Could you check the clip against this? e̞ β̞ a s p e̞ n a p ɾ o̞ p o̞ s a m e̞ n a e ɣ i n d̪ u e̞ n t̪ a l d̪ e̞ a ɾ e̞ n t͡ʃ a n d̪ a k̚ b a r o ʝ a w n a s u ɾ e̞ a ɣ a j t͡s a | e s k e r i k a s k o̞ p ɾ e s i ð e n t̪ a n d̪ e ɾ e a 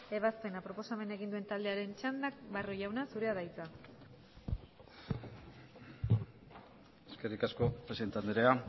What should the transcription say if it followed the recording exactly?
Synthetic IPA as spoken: e̞ β̞ a s p e̞ n a p ɾ o̞ p o̞ s a m e̞ n a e ɣ i n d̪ u e̞ n t̪ a l d̪ e̞ a ɾ e̞ n t͡ʃ a n d̪ a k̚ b a r o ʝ a w n a s u ɾ e̞ a ð a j t͡s a | e s k e r i k a s k o̞ p ɾ e s i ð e n t̪ a n d̪ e ɾ e a

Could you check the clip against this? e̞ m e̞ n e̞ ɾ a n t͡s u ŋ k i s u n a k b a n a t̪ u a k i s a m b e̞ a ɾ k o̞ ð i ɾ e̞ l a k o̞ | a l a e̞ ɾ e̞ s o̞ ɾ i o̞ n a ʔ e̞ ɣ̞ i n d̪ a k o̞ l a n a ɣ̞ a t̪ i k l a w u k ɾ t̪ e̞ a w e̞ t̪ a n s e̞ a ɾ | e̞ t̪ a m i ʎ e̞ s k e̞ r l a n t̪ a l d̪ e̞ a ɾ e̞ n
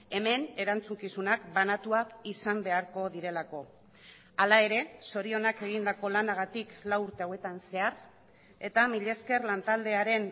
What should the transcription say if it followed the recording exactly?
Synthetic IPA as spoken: e̞ m e̞ n e̞ ɾ a n t͡s u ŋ k i s u n a k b a n a t̪ u a k i s a m b e̞ a ɾ k o̞ ð i ɾ e̞ l a k o̞ | a l a e̞ ɾ e̞ s o̞ ɾ i o̞ n a k e̞ ɣ̞ i n d̪ a k o̞ l a n a ɣ̞ a t̪ i k l a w u ɾ t̪ e̞ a w e̞ t̪ a n s e̞ a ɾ | e̞ t̪ a m i ʎ e̞ s k e̞ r l a n t̪ a l d̪ e̞ a ɾ e̞ n

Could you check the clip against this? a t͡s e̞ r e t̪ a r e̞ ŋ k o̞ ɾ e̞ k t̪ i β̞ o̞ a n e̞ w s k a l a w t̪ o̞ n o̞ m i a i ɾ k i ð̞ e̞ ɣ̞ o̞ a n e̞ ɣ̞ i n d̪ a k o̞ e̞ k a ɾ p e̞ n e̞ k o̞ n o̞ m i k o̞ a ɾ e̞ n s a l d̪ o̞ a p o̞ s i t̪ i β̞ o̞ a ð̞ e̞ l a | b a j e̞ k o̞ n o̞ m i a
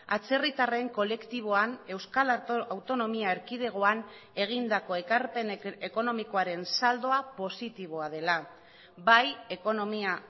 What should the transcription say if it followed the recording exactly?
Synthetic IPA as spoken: a t͡s e̞ r i t̪ a r e̞ ŋ k o̞ l e̞ k t̪ i β̞ o̞ a n e̞ w s k a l a w t̪ o̞ n o̞ m i a e ɾ k i ð̞ e̞ ɣ̞ o̞ a n e̞ ɣ̞ i n d̪ a k o̞ e̞ k a ɾ p e̞ n e̞ k o̞ n o̞ m i k o̞ a ɾ e̞ n s a l d̪ o̞ a p o̞ s i t̪ i β̞ o̞ a ð̞ e̞ l a | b a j e̞ k o̞ n o̞ m i a

